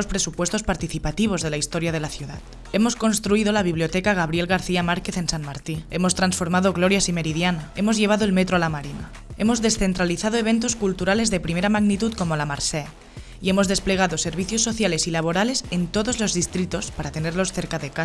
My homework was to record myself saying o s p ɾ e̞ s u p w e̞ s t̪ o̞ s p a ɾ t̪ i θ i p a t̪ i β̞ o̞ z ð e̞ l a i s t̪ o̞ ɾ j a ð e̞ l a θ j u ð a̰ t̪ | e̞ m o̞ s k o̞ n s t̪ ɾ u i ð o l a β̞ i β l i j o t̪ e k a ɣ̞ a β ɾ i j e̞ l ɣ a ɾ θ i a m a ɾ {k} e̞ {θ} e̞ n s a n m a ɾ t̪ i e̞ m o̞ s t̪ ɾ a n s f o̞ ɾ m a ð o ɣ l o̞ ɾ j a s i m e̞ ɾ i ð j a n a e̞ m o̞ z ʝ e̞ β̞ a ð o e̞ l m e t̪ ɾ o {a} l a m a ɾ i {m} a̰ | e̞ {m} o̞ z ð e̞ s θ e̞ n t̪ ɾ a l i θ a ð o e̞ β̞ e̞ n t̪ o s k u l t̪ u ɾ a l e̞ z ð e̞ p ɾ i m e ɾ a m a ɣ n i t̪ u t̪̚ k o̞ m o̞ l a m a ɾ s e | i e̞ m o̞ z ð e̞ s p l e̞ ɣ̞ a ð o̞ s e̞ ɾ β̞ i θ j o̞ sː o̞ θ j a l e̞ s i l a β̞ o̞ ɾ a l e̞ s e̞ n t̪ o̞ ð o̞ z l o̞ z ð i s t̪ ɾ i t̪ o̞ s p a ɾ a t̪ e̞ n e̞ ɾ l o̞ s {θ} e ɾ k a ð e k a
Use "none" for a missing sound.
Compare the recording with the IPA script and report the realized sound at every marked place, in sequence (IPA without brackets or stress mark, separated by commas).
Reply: k, θ, a, n, m, θ